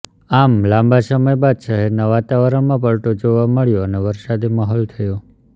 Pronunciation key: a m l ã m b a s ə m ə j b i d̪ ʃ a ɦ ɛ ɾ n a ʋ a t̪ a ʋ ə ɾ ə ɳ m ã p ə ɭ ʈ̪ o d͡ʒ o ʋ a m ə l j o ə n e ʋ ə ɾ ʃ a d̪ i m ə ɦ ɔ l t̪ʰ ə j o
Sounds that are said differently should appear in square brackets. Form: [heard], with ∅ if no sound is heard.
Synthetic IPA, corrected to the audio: a m l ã m b a s ə m ə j b [a] d̪ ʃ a ɦ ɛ ɾ n a ʋ a t̪ a ʋ ə ɾ ə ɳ m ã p ə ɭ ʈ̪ o d͡ʒ o ʋ a m ə [ɭ] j o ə n e ʋ ə ɾ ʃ a d̪ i m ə ɦ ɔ l t̪ʰ ə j o